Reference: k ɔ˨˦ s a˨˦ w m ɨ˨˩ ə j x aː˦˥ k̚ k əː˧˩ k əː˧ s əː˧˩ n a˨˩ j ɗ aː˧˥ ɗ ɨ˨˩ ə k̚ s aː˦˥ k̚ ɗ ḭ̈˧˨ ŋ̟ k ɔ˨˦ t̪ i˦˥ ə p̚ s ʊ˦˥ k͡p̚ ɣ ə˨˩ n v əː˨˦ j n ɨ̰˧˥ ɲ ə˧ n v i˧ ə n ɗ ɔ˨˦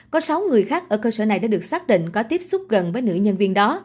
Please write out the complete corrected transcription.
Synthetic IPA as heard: k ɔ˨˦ s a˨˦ w ŋ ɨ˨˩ ə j x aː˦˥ k̚ ʔ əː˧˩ k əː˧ s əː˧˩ n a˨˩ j ɗ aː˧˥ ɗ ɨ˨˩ ə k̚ s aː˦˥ k̚ ɗ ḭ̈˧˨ ŋ̟ k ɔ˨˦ t̪ i˦˥ ə p̚ s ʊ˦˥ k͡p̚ ɣ ə˨˩ n v əː˨˦ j n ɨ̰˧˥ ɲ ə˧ n v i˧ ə n ɗ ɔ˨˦